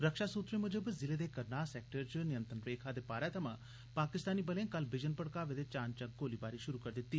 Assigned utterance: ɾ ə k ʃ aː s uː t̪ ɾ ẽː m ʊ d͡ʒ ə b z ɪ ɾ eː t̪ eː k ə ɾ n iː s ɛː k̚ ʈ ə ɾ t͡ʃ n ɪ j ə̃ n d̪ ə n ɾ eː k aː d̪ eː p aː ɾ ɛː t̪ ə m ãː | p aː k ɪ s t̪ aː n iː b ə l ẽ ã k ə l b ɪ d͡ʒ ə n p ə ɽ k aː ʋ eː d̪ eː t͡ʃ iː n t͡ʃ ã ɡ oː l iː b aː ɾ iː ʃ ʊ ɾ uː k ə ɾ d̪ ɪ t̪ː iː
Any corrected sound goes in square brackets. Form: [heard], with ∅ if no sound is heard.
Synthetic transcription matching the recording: ɾ ə k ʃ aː s uː t̪ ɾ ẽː m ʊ d͡ʒ ə b z ɪ [l] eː [d̪] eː k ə ɾ n [aː] s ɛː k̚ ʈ ə ɾ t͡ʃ n ɪ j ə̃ n [t̪] ə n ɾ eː [kʰ] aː d̪ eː p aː ɾ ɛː t̪ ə m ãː | p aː k ɪ s t̪ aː n iː b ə l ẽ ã k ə l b ɪ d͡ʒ ə n p ə ɽ k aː ʋ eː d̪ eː t͡ʃ [aː] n t͡ʃ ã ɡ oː l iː b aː ɾ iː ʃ ʊ ɾ uː k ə ɾ d̪ ɪ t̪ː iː